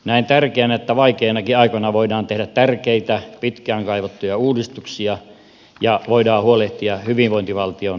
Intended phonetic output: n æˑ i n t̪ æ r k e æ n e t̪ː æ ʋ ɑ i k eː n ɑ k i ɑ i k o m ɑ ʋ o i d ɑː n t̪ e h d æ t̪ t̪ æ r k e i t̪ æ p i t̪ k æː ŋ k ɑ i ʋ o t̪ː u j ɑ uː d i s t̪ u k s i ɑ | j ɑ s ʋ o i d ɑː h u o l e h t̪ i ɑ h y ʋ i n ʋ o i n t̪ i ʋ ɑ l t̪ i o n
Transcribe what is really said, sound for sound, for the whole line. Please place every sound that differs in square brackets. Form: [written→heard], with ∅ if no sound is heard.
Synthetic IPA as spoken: n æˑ i n t̪ æ r k e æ n e t̪ː æ ʋ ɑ i k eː n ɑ k i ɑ i k o [m→n] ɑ ʋ o i d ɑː n t̪ e h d æ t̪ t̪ æ r k e i t̪ æ p i t̪ k æː ŋ k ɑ i ʋ o t̪ː u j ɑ uː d i s t̪ u k s i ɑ | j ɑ [s→∅] ʋ o i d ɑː h u o l e h t̪ i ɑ h y ʋ i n ʋ o i n t̪ i ʋ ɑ l t̪ i o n